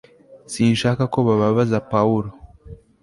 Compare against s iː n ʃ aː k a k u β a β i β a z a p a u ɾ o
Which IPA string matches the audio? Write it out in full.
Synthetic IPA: s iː n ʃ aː k a k o β a β a β a z a p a u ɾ o